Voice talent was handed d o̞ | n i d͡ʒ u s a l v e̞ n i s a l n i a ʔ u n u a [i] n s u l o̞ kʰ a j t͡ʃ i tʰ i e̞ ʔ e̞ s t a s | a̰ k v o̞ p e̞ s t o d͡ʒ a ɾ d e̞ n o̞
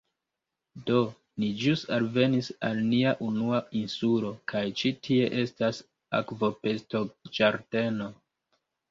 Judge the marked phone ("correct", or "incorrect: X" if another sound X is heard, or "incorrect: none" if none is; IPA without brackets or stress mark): correct